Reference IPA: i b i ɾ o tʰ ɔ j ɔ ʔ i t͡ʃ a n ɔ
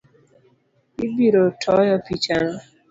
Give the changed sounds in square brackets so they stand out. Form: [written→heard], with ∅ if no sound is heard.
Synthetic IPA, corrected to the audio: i b i ɾ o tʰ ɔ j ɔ [ʔ→p] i t͡ʃ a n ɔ